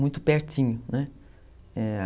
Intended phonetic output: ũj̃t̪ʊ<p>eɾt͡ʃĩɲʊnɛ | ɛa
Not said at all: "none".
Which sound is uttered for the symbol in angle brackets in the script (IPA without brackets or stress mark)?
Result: p